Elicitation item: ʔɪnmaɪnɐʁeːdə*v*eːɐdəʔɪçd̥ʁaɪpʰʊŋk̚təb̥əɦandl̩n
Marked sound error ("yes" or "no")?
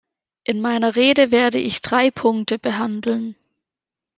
no